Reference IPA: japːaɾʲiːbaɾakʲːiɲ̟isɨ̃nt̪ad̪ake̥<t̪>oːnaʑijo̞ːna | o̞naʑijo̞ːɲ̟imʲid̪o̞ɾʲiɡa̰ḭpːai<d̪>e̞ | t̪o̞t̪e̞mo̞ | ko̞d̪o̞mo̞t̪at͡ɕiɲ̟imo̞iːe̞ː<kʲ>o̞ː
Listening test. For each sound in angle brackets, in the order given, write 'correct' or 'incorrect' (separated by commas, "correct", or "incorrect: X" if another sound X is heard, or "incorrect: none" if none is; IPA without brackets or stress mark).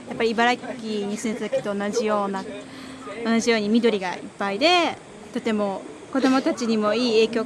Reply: correct, correct, correct